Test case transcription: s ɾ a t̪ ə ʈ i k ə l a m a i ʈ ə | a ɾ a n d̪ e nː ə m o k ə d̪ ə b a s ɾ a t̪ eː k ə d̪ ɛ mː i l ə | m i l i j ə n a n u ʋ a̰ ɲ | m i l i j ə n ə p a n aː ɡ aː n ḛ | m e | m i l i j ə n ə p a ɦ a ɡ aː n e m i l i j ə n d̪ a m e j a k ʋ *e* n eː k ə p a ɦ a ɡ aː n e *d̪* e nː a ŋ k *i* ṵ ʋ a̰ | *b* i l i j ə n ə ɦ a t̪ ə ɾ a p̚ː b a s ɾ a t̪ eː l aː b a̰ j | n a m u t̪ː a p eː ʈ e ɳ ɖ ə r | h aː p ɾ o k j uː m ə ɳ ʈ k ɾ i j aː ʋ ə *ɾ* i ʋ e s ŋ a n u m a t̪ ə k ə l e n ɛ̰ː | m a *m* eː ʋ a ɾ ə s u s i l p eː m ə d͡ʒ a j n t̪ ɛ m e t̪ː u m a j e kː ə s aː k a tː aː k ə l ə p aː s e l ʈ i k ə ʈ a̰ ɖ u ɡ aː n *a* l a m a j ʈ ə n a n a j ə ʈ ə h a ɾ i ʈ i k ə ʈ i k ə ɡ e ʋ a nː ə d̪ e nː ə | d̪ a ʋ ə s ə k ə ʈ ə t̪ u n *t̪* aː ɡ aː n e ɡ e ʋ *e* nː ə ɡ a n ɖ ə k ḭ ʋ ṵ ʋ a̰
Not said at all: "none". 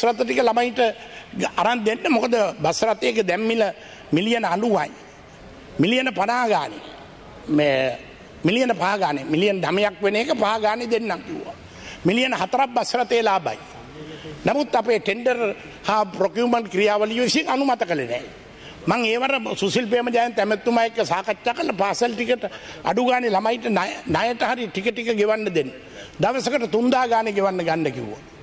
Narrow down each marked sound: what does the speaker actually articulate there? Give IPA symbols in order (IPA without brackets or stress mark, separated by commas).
e, d̪, i, m, l, ŋ, e, d̪, a